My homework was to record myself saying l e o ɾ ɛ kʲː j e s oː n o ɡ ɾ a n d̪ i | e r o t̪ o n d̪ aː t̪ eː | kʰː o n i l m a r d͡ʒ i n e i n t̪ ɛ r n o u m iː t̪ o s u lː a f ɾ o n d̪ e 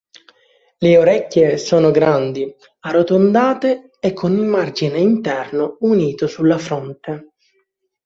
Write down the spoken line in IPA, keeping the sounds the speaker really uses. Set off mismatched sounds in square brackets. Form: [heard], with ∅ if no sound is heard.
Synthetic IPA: l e o ɾ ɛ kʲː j e s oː n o ɡ ɾ a n d̪ i | [a] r o t̪ o n d̪ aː t̪ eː | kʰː o n i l m a r d͡ʒ i n e i n t̪ ɛ r n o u [n] iː t̪ o s u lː a f ɾ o n [t̪] e